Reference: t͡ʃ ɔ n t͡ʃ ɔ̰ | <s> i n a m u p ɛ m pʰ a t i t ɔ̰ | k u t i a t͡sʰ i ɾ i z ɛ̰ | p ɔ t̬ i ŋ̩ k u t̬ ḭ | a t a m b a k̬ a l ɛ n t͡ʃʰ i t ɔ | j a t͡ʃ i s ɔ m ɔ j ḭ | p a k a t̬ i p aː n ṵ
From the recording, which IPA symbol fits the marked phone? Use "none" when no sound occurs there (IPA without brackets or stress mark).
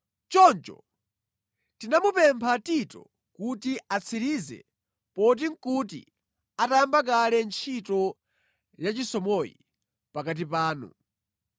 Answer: t